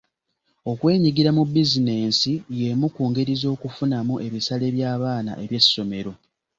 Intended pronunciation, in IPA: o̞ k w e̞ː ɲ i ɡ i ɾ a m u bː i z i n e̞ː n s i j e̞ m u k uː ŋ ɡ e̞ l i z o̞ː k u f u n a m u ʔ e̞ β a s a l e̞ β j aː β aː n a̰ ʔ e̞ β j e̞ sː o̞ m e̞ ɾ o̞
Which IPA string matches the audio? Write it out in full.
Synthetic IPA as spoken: o̞ k w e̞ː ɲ i ɡ i ɾ a m u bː i z i n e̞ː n s i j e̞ m u k uː ŋ ɡ e̞ ɾ i z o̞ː k u f u n a m u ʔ e̞ β i s a l e̞ β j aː β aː n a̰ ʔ e̞ β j e̞ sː o̞ m e̞ ɾ o̞